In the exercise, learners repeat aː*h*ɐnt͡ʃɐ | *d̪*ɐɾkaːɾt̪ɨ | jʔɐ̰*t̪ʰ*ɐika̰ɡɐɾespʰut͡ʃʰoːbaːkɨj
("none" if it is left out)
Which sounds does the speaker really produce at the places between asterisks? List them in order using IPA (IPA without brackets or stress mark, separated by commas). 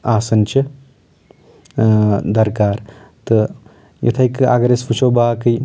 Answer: s, d̪, t̪ʰ